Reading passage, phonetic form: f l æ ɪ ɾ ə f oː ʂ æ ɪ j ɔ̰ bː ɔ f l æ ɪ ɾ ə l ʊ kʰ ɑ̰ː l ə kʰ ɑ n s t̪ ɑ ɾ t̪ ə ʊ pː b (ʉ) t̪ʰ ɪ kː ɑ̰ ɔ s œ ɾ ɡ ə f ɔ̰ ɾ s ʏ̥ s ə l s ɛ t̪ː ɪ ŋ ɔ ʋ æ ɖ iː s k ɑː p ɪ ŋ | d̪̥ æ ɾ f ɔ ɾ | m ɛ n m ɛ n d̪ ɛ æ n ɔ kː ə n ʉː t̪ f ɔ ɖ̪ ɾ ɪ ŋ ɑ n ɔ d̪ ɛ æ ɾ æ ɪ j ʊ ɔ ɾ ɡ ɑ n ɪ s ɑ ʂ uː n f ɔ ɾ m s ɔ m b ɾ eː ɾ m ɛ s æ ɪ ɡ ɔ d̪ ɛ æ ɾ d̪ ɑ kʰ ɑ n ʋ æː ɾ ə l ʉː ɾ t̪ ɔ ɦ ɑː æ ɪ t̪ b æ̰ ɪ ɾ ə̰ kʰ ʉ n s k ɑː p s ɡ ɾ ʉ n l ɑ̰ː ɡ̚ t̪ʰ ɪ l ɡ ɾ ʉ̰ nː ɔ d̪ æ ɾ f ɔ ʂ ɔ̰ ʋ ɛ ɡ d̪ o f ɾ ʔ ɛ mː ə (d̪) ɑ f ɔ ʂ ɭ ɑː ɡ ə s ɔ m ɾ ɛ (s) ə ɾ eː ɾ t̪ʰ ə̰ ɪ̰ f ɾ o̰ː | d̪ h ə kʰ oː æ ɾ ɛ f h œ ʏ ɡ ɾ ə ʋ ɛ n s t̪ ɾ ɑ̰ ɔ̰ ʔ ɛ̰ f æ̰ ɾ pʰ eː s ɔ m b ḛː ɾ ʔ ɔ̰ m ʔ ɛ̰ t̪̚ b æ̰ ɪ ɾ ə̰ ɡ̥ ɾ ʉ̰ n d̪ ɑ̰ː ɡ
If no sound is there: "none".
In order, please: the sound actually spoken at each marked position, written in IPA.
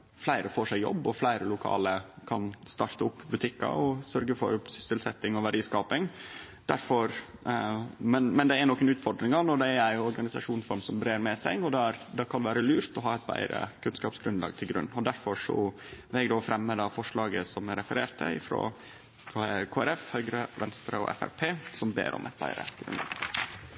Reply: ʉ, d̪, f

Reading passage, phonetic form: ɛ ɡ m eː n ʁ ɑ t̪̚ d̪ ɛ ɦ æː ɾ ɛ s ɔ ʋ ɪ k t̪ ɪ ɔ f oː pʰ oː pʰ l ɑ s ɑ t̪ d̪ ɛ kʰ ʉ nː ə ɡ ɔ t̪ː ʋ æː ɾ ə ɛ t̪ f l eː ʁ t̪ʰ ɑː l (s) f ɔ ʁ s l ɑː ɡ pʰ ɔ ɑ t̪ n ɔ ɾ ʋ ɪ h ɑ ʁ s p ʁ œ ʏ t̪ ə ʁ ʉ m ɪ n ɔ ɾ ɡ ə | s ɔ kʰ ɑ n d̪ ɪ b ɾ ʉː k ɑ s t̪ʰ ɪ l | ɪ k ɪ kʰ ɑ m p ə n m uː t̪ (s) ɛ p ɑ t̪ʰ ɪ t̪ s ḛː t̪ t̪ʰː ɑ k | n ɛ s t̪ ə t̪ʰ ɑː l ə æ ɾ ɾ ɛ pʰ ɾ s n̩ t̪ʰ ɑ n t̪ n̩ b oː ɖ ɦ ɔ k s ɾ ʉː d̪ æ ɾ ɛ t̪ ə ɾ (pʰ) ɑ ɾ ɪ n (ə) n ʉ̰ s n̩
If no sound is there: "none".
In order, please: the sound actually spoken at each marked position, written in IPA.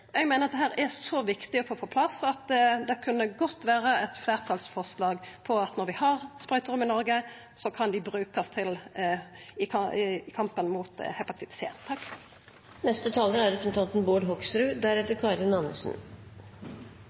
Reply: s, h, kʰ, ɑ

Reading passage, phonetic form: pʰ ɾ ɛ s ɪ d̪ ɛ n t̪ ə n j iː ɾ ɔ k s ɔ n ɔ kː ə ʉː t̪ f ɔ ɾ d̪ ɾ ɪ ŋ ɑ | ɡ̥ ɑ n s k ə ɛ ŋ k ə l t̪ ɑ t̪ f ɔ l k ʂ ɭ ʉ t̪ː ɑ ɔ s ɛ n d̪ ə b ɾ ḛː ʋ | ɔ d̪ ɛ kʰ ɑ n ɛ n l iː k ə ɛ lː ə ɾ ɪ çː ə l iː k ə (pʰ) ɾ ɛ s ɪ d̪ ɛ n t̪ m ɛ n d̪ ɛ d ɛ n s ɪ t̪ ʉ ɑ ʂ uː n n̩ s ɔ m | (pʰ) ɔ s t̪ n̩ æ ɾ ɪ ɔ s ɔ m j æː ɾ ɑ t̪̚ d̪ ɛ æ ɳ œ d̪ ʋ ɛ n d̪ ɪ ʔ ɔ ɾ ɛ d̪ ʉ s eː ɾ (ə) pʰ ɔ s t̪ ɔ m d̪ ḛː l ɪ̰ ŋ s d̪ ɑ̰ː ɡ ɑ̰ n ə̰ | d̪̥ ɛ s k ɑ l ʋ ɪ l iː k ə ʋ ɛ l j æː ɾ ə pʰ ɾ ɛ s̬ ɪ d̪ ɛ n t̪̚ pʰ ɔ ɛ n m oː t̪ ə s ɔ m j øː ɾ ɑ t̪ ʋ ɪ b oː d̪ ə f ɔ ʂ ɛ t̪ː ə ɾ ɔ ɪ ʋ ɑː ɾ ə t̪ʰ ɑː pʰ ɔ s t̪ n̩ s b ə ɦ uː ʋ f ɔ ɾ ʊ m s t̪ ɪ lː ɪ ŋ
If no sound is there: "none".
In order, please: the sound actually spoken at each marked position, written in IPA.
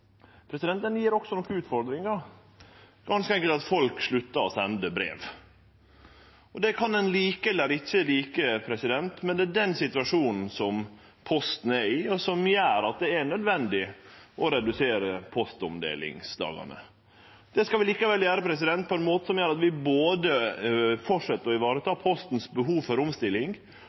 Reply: pʰ, pʰ, ə

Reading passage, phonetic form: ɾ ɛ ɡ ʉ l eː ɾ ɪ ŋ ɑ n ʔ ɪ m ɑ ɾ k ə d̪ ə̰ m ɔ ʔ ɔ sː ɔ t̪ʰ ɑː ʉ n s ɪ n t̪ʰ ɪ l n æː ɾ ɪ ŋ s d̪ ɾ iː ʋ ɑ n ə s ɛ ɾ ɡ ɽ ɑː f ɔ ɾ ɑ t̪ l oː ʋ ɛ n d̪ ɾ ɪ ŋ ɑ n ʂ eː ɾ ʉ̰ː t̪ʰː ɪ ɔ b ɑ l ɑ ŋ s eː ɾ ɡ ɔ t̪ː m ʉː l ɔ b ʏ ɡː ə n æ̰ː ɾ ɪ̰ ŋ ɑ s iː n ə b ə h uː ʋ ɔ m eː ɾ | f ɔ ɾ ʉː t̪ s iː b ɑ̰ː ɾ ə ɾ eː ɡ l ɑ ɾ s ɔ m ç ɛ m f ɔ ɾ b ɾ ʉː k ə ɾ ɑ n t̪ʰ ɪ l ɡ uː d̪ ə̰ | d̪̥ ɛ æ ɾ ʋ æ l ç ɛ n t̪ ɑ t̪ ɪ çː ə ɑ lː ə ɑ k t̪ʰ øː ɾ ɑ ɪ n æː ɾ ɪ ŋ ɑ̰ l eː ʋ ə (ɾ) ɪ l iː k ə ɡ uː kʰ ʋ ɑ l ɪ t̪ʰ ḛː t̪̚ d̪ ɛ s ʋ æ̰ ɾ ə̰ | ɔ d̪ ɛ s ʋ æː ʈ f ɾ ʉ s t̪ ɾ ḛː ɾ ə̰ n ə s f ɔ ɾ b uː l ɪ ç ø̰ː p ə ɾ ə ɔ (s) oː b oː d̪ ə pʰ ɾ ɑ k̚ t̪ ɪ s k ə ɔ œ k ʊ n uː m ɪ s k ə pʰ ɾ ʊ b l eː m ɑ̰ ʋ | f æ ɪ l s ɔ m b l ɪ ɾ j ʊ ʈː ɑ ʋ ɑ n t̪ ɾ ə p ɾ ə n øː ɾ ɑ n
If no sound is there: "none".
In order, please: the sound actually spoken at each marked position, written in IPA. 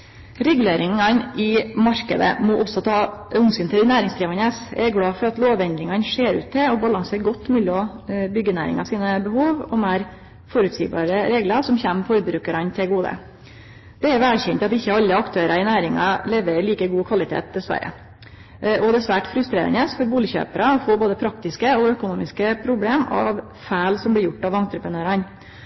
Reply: ɾ, f

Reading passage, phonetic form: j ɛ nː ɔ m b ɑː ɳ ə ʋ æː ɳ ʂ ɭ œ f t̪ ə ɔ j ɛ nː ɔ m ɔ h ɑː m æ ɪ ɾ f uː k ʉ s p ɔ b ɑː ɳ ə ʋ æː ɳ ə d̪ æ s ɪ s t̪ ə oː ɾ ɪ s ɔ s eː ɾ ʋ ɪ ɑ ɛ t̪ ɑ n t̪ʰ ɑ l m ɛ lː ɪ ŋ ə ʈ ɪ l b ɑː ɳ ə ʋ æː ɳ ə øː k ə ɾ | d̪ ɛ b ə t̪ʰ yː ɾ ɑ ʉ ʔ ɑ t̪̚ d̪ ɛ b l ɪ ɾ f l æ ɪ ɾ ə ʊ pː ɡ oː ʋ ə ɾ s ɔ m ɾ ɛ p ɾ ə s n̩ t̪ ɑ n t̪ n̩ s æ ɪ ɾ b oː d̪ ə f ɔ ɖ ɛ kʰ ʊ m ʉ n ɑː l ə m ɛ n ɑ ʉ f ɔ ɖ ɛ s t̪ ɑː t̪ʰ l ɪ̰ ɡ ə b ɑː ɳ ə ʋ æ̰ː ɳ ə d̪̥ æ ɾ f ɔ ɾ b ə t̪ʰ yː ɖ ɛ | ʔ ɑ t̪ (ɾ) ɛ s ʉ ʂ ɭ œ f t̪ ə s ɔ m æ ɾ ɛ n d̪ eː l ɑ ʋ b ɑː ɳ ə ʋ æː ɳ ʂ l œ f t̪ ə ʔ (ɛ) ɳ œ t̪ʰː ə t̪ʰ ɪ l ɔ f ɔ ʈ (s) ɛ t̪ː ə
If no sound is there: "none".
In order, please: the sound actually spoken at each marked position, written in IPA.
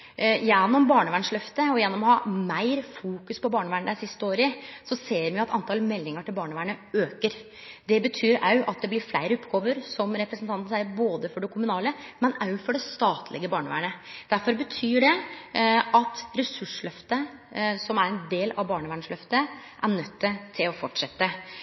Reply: ɾ, æ, ʂ

